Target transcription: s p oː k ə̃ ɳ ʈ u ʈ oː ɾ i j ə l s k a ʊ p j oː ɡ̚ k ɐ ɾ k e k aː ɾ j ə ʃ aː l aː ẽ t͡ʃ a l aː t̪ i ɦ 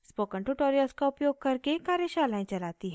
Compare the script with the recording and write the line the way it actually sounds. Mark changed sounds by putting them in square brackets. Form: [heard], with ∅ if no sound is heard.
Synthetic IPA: s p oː k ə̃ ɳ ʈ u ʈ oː ɾ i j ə l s k a ʊ p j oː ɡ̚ k ɐ ɾ k e k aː ɾ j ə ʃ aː l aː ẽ t͡ʃ [ɐ] l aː t̪ i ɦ